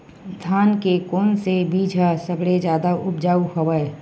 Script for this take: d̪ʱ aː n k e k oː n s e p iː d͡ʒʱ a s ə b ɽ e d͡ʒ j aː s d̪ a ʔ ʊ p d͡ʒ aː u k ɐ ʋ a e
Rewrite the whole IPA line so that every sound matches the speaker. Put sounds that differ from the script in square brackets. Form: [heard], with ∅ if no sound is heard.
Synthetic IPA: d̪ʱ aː n k e k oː n s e [b] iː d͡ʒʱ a s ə b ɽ e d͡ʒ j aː [∅] d̪ a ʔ ʊ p d͡ʒ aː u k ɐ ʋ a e